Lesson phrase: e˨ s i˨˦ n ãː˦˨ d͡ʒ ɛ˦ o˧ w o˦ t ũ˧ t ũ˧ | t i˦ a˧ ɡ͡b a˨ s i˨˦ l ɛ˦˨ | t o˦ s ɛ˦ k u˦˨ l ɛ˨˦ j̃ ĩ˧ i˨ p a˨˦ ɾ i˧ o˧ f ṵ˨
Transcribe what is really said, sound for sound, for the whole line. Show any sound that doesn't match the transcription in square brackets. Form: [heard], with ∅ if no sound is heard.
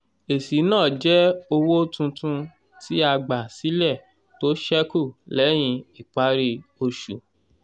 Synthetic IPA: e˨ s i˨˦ n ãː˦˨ d͡ʒ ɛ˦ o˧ w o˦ t ũ˧ t ũ˧ | t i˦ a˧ ɡ͡b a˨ s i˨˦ l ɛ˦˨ | t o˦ [ʃ] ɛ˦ k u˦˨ l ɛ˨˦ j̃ ĩ˧ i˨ [k͡p] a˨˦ ɾ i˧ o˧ [ʃ] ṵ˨